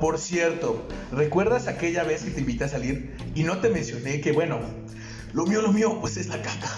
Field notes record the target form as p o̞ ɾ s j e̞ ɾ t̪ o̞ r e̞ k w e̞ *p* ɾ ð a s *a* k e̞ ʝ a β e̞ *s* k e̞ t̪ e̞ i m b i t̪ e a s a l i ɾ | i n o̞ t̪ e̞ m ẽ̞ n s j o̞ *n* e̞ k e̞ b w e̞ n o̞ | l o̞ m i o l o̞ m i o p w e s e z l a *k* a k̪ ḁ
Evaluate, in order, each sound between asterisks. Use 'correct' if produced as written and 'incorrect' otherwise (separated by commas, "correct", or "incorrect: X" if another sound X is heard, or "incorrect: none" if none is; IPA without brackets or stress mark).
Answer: incorrect: none, correct, correct, correct, correct